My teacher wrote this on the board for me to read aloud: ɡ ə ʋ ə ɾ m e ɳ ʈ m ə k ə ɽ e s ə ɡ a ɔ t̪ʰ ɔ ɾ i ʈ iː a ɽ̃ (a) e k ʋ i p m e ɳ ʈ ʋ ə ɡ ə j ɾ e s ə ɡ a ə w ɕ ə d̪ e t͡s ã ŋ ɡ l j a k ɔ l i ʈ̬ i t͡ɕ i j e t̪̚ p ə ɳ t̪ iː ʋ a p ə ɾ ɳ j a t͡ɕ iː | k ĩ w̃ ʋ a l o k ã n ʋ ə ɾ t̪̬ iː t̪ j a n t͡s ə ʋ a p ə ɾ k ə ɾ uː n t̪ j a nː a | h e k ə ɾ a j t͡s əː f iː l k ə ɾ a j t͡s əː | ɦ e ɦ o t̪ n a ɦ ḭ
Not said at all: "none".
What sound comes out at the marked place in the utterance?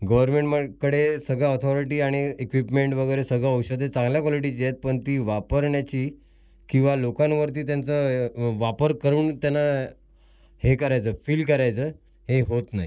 i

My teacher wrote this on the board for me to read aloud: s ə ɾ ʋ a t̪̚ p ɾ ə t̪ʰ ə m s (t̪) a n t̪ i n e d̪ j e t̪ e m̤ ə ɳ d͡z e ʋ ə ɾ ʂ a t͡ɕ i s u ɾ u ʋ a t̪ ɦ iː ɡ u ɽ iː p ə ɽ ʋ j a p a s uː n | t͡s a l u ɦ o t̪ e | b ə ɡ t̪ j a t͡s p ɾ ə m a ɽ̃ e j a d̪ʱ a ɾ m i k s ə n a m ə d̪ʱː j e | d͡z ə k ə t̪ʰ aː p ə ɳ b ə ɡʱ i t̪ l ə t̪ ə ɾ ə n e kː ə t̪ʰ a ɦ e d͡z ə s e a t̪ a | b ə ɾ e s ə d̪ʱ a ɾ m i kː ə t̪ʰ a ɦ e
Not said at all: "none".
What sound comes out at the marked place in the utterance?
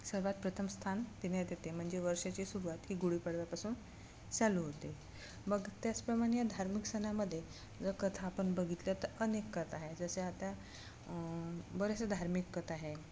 t̪ʰ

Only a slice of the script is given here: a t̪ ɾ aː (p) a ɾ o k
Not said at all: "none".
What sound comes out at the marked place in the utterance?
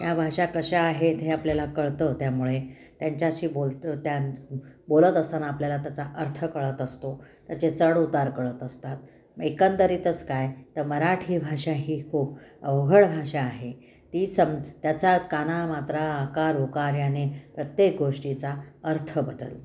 k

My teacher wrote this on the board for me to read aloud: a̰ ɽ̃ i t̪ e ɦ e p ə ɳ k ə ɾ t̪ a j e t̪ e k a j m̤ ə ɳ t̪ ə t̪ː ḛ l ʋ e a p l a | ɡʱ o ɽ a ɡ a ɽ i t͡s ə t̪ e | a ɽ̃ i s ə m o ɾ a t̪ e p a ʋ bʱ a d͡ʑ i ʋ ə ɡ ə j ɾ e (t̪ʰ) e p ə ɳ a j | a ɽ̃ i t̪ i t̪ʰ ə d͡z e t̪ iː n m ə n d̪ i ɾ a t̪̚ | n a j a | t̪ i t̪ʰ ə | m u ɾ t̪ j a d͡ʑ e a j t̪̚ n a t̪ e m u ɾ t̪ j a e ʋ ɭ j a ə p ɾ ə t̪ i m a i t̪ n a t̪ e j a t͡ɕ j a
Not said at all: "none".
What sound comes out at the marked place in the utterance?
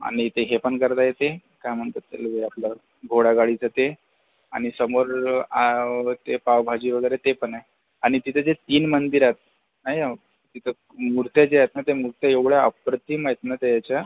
t̪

